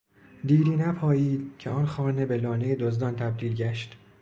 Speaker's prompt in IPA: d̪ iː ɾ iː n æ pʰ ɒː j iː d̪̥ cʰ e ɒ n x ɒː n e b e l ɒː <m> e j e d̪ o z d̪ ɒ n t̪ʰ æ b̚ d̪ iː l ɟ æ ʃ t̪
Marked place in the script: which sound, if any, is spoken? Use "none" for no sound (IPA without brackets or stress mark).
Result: n